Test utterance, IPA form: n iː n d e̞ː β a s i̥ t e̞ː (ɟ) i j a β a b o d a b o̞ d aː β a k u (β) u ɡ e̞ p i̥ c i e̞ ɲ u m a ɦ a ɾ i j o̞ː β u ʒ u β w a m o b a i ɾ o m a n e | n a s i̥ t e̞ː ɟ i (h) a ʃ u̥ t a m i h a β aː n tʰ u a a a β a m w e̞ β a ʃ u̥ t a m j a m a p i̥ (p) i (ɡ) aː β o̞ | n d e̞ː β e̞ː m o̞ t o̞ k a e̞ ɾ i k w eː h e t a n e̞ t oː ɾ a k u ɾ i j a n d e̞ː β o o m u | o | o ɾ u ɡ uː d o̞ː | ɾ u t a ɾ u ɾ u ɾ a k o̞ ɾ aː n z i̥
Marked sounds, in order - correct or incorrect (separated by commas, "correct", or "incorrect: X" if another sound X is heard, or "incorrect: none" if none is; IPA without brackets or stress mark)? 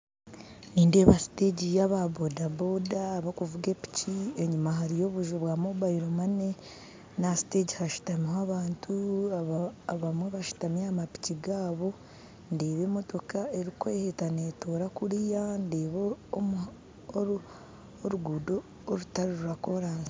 correct, incorrect: v, correct, incorrect: c, correct